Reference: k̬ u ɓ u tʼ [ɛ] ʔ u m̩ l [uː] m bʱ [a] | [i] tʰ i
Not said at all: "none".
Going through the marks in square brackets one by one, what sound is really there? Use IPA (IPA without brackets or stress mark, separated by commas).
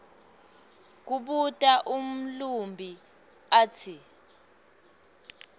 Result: a, u, i, a